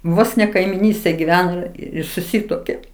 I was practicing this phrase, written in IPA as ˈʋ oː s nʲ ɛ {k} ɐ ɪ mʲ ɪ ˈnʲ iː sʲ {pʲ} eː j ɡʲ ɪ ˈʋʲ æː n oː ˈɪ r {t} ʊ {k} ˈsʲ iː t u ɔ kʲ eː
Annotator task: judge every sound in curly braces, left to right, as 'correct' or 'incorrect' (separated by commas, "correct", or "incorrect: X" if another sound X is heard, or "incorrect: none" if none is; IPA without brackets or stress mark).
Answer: correct, incorrect: tʲ, incorrect: s, incorrect: none